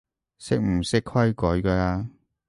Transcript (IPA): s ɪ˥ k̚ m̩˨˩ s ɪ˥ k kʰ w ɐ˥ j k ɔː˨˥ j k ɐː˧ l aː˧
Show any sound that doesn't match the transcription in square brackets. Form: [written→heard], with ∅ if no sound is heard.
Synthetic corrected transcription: s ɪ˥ k̚ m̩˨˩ s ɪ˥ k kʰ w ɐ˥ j k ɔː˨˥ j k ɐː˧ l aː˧